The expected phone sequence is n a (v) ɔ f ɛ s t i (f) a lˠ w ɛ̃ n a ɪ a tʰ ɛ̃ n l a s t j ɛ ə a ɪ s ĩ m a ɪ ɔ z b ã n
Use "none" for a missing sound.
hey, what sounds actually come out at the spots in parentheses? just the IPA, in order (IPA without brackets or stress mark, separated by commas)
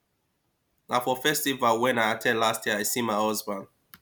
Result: f, v